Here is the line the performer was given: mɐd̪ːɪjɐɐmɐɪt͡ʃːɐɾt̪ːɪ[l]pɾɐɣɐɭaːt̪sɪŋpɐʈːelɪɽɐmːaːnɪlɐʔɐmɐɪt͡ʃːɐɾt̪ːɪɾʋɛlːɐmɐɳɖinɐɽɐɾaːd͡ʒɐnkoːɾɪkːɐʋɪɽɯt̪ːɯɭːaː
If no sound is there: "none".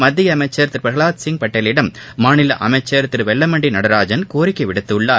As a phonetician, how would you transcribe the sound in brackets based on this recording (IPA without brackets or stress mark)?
ɾ